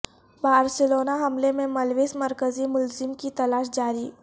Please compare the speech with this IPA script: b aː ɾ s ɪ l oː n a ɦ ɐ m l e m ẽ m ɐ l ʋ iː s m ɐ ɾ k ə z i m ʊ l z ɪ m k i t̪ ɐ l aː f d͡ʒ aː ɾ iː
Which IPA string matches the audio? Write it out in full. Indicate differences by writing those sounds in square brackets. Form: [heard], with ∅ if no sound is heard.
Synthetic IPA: b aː ɾ s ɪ l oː n a ɦ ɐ m l e m ẽ m ɐ l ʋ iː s m ɐ ɾ k ə z i m ʊ l z ɪ m k i t̪ ɐ l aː [ʃ] d͡ʒ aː ɾ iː